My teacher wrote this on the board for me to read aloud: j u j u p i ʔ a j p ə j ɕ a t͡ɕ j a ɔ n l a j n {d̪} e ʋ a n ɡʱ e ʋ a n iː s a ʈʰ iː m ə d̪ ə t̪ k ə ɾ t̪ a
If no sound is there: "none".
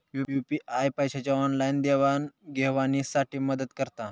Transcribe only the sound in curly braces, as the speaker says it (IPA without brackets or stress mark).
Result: d̪